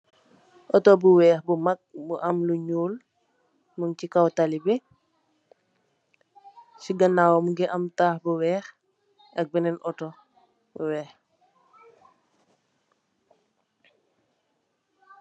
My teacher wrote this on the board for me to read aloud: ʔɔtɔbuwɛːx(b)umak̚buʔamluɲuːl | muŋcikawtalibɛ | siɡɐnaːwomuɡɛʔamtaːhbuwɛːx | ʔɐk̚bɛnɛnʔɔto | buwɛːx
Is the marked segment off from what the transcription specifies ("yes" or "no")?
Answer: no